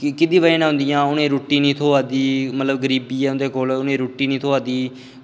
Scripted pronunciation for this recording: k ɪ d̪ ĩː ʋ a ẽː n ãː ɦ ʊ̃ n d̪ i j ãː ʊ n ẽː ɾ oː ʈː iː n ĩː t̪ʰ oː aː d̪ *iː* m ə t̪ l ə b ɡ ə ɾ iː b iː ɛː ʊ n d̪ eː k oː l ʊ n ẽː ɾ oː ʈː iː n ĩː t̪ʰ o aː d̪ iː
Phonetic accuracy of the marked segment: correct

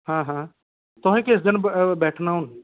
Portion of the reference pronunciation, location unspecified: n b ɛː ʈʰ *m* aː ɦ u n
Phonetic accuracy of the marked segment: incorrect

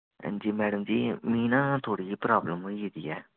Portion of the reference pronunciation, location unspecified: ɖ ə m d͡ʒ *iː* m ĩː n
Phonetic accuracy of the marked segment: correct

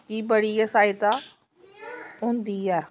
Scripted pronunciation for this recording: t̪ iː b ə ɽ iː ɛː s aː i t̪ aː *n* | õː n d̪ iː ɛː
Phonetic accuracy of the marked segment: incorrect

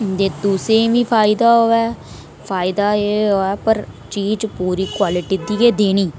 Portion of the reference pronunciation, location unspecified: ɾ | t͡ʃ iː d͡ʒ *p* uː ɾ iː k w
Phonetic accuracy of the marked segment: correct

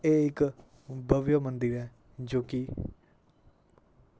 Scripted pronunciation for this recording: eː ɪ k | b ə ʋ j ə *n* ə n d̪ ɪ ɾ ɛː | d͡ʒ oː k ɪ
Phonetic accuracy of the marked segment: incorrect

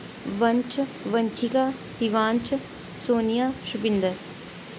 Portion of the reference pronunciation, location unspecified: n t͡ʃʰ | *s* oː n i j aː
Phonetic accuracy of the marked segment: correct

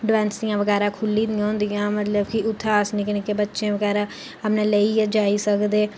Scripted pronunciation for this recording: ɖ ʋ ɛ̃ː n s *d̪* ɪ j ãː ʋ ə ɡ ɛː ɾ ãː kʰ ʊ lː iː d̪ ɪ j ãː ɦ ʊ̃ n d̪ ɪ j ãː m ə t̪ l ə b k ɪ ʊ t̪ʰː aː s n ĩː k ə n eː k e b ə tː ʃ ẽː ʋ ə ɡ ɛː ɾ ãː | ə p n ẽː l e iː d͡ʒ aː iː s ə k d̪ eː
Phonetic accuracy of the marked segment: correct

